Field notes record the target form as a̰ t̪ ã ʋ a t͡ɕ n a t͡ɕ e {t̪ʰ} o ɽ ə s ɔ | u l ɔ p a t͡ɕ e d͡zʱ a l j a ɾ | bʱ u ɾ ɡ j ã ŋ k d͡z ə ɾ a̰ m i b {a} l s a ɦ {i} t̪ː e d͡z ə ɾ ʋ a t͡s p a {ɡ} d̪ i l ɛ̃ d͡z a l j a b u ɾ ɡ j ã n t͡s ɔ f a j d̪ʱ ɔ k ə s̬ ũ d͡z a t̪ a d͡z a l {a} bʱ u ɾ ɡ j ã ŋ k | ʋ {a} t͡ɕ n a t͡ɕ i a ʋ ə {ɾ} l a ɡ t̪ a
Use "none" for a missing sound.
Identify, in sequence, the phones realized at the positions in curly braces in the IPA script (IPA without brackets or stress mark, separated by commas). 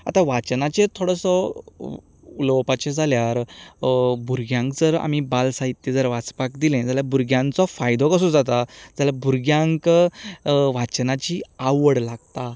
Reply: t̪ʰ, a, i, k, a, a, ɽ